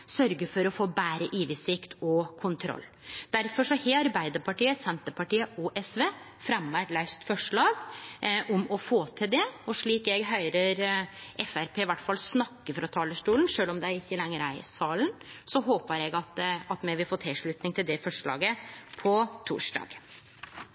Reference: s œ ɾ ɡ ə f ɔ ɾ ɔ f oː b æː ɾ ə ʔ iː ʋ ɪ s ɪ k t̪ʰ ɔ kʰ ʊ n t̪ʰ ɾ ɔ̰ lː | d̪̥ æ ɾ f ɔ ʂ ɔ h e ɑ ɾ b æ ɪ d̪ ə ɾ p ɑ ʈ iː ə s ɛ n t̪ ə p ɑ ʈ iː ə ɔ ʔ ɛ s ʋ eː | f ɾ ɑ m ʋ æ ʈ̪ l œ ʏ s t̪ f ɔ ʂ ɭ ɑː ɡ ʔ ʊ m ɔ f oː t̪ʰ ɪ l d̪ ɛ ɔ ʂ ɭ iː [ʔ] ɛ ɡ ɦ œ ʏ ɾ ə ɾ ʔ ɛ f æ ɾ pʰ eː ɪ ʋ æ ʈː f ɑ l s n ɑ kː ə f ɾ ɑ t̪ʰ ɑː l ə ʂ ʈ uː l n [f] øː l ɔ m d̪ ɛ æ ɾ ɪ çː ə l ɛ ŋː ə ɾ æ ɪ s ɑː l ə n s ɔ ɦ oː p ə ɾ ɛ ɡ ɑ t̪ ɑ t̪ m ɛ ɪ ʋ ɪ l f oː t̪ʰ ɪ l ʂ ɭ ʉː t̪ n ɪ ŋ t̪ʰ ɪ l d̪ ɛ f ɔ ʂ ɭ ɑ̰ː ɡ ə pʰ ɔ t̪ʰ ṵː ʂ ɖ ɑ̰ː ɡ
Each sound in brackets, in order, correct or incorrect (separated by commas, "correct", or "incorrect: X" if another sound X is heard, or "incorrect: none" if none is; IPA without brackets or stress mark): incorrect: k, incorrect: ʂ